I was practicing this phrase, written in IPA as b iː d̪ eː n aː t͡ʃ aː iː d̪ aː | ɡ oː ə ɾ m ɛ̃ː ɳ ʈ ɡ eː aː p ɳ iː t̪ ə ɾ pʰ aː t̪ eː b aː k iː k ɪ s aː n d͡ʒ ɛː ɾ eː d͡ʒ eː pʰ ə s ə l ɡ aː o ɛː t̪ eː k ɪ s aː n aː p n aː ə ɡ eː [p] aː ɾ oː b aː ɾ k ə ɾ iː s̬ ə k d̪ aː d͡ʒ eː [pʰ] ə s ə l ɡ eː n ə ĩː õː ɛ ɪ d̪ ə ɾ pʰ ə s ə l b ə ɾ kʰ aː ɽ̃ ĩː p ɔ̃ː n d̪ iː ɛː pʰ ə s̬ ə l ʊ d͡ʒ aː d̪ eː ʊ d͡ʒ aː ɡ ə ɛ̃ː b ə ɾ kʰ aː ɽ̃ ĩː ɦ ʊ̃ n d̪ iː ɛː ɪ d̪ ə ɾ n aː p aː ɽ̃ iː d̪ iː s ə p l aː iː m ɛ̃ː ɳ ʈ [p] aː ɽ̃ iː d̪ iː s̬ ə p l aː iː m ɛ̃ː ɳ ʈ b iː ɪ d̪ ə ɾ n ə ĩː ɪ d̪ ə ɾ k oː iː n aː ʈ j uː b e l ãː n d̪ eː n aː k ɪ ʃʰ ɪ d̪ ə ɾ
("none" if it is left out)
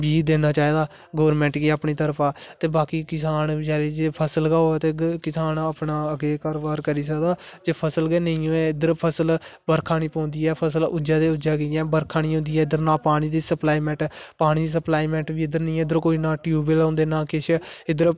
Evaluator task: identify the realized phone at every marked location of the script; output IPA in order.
k, pʰ, p

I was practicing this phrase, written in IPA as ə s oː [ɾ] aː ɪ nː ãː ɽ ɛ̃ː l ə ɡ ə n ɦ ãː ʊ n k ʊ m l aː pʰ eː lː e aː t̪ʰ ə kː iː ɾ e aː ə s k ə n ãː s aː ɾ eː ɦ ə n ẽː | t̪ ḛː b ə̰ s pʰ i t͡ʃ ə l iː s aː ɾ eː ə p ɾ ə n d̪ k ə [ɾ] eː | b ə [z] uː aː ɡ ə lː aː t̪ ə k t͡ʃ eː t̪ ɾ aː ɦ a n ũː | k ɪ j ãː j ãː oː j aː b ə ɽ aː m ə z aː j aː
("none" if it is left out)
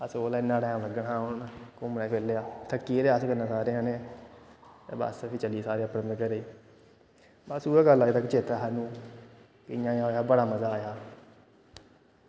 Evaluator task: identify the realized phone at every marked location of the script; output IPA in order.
l, ɾ, s

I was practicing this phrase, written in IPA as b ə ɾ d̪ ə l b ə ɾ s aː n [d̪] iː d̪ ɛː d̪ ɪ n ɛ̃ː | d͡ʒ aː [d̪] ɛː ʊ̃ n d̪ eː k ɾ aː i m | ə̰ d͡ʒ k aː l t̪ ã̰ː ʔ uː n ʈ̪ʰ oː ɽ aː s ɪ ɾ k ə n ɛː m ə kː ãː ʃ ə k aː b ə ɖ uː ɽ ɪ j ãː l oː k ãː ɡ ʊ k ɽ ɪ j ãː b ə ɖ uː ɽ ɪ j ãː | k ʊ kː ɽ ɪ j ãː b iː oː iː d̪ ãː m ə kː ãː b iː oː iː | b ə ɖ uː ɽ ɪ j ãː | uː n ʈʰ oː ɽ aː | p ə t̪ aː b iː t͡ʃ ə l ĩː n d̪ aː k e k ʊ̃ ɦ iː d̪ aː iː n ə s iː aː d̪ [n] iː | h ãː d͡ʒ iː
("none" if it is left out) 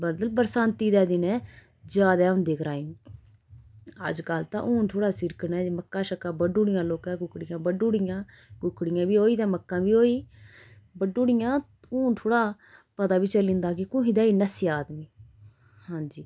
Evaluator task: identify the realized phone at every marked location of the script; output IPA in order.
t̪, d̪, m

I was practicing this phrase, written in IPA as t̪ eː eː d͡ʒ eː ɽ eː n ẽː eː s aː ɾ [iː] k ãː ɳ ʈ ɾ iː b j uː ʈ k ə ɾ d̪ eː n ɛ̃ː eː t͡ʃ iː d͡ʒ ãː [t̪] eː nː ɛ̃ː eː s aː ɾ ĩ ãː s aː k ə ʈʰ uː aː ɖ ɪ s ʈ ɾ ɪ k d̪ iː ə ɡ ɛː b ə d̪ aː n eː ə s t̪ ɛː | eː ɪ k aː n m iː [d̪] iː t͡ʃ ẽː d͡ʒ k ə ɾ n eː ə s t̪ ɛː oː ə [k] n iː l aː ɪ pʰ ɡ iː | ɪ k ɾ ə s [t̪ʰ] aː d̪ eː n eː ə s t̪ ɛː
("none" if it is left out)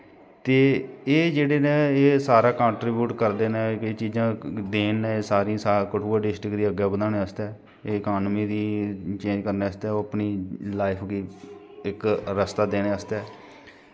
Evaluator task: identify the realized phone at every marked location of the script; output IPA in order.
aː, d̪, d̪, p, t̪

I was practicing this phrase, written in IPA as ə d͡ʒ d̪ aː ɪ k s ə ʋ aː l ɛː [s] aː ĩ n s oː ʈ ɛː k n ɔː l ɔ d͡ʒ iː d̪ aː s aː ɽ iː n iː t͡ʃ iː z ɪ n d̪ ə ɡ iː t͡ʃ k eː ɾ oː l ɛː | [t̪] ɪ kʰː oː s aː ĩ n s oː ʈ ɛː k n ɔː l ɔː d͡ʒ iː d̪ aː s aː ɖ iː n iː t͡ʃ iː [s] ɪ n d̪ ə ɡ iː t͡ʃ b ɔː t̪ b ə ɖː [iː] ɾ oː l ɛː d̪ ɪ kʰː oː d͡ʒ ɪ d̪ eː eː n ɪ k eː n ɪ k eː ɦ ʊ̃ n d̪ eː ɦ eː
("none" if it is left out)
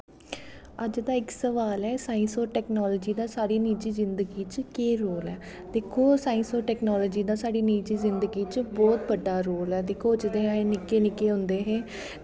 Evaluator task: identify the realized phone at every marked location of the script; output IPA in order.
s, d̪, z, aː

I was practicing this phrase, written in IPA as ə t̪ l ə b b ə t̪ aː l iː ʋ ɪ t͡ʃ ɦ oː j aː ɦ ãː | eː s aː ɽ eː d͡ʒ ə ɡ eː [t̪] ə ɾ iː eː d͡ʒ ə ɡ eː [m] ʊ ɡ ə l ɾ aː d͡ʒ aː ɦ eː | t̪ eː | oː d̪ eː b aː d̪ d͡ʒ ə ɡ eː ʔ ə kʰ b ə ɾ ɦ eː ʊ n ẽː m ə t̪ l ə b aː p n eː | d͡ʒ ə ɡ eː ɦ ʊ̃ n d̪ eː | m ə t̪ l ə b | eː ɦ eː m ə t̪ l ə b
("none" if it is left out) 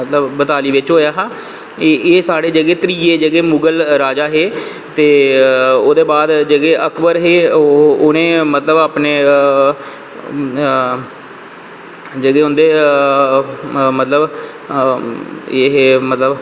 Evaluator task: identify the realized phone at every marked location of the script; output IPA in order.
t̪, m

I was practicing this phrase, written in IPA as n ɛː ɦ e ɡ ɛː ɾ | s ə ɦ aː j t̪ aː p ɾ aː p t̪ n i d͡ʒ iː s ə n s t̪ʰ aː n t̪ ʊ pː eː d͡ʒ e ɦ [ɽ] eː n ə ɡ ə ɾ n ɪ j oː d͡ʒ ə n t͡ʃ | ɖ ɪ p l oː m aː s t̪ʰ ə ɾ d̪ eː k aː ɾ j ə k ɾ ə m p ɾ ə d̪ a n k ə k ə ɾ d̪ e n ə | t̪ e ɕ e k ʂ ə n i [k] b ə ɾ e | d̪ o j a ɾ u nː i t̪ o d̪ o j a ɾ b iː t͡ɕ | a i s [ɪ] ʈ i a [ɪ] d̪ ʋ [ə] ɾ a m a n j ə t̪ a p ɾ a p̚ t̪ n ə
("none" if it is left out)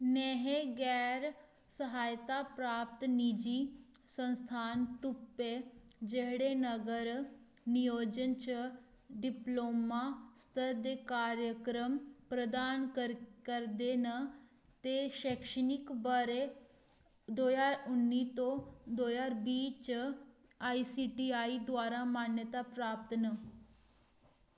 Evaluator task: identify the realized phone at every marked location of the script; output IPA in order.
ɽ, k, i, i, a

